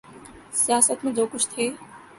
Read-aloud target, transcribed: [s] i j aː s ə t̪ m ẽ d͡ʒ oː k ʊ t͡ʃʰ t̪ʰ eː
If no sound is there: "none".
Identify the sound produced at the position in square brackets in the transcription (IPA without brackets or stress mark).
s